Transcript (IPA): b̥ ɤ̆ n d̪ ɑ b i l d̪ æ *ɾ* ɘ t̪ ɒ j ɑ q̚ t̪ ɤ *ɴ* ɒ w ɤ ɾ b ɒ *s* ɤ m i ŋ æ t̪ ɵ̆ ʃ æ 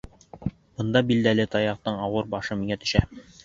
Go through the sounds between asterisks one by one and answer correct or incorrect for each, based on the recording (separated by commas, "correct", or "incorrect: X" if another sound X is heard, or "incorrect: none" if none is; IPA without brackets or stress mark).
incorrect: l, correct, incorrect: ʃ